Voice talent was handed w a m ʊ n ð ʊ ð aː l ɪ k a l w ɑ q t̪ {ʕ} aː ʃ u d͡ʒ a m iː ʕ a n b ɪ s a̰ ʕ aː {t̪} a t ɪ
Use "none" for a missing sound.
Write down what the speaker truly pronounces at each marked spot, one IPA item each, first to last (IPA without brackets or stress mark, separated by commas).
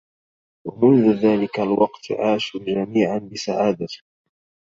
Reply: ʕ, d̪